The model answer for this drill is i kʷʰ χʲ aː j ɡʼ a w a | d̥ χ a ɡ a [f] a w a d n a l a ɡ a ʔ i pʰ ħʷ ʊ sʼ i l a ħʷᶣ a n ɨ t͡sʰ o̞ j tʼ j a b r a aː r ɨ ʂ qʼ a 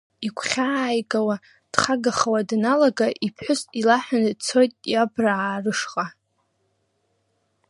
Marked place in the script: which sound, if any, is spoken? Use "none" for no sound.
χ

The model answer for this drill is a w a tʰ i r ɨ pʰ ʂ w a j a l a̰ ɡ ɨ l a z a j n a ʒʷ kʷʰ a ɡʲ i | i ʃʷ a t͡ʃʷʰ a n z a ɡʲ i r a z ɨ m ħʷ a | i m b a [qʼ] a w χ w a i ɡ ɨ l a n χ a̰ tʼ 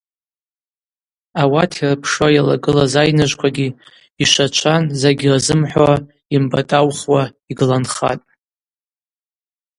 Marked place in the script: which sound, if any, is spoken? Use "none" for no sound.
tʼ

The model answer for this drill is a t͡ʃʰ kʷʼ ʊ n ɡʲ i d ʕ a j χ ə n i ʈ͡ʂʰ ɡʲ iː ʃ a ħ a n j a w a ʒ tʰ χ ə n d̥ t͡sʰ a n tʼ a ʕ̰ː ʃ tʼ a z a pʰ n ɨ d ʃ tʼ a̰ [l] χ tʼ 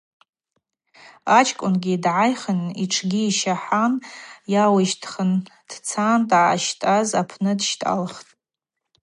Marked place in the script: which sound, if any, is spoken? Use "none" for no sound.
l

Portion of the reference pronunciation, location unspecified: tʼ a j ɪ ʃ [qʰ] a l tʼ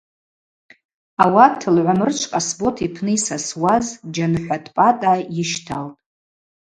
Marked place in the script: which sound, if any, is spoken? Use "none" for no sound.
tʰ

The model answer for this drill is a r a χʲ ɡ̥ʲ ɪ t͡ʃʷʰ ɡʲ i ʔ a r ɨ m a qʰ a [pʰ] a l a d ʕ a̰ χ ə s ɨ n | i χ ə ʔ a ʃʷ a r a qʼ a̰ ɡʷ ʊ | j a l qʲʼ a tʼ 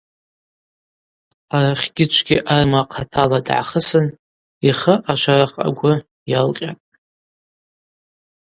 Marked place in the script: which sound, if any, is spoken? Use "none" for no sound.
tʰ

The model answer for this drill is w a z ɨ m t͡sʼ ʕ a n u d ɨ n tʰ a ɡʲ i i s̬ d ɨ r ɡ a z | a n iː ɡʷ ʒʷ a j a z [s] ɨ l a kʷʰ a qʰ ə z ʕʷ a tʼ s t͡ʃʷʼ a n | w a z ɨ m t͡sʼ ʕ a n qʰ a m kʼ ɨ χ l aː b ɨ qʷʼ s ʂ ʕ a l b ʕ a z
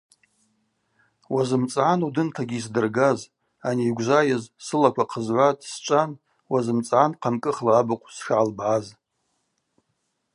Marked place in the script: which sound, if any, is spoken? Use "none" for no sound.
s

